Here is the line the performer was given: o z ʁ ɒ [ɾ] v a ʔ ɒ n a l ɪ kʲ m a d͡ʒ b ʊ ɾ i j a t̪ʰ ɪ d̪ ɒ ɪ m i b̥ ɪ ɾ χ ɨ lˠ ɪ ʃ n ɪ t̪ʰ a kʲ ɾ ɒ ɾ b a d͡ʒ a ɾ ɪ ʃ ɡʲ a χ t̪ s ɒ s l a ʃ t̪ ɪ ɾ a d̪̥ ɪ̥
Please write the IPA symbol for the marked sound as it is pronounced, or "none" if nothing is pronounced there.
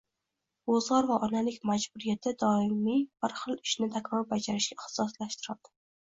ɾ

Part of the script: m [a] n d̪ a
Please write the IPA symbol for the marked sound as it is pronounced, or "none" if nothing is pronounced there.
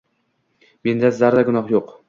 e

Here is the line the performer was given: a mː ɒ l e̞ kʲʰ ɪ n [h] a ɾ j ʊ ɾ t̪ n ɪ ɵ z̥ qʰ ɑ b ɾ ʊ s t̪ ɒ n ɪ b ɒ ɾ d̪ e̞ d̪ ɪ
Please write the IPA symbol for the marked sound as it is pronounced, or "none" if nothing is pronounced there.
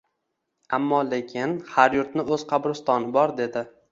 h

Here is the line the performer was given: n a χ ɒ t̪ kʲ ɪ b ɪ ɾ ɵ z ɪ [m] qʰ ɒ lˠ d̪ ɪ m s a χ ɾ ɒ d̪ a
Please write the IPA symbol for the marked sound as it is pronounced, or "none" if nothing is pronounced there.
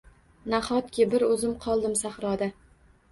m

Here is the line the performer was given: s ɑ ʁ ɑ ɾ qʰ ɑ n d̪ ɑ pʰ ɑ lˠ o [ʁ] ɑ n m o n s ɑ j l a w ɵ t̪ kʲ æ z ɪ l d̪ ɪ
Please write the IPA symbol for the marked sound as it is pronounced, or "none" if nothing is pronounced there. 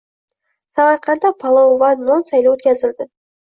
v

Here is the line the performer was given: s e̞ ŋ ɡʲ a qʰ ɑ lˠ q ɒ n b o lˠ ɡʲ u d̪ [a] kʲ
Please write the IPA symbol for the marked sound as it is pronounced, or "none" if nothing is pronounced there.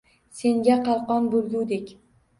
e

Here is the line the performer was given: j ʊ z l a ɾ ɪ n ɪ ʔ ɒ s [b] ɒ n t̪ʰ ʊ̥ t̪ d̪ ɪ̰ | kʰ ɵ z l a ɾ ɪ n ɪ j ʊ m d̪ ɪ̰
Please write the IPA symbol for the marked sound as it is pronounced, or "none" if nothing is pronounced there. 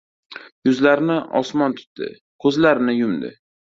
m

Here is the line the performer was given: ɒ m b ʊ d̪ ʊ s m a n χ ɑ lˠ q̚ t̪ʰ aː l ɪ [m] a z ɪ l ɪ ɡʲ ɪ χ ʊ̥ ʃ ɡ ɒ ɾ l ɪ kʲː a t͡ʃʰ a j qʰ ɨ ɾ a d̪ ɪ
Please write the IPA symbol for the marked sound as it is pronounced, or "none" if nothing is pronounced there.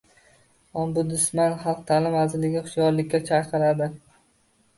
m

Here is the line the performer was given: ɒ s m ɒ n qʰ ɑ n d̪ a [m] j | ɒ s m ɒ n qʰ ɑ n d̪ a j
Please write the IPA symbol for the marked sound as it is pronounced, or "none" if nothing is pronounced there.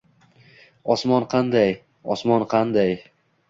none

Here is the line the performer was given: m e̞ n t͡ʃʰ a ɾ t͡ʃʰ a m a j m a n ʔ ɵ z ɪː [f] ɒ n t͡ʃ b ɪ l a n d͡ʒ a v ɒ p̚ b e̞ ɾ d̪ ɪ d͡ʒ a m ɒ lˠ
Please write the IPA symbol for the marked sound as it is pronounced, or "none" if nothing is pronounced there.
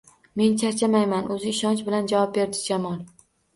ʃ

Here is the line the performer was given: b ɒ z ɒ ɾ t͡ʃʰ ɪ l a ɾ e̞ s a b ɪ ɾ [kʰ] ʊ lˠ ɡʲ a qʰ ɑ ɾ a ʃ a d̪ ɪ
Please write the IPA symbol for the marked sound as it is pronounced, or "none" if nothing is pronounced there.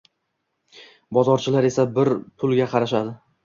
pʰ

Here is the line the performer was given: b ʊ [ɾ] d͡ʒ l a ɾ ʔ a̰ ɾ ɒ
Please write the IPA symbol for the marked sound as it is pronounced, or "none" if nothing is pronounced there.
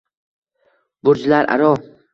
ɾ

